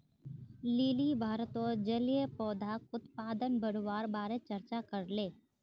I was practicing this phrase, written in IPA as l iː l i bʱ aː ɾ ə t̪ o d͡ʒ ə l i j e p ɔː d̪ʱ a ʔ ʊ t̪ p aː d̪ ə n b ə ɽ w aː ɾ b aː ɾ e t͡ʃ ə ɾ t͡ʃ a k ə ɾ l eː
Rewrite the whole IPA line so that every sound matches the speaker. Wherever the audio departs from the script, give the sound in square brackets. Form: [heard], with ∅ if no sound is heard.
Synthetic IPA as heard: l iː l i bʱ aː ɾ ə t̪ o d͡ʒ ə l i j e p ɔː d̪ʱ a [k] ʊ t̪ p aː d̪ ə n b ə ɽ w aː ɾ b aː ɾ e t͡ʃ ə ɾ t͡ʃ a k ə ɾ l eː